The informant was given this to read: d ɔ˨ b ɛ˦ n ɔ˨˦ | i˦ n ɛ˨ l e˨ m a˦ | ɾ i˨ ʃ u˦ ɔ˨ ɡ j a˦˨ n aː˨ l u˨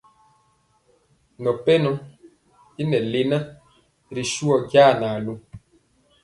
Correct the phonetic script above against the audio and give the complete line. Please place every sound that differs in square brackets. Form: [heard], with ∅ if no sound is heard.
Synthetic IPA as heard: [n] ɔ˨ [p] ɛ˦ n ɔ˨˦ | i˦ n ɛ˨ l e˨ [n] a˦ | ɾ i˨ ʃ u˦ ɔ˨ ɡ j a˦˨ n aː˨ l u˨